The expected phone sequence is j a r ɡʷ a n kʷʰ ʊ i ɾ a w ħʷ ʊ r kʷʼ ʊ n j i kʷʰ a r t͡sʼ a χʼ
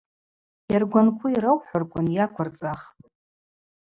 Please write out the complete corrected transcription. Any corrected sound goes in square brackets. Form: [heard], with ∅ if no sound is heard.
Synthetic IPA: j a r ɡʷ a n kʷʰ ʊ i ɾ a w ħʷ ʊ r kʷʼ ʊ n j [a] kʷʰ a r t͡sʼ a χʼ